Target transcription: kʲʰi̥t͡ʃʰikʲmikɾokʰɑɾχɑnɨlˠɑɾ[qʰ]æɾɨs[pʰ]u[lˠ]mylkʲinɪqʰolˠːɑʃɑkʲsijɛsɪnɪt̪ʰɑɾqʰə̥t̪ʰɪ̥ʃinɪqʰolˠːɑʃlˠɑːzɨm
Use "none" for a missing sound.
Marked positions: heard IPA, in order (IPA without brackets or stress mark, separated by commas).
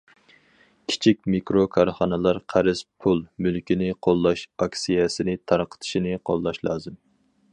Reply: qʰ, pʰ, lˠ